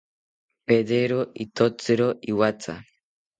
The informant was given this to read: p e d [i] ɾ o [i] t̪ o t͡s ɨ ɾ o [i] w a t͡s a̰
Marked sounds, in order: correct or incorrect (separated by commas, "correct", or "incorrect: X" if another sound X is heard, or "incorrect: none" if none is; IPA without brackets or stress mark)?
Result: incorrect: e, correct, correct